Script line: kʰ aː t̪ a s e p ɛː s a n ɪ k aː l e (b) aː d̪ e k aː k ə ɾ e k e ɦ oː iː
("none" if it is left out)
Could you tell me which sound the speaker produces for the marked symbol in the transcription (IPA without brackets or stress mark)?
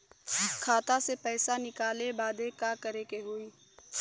b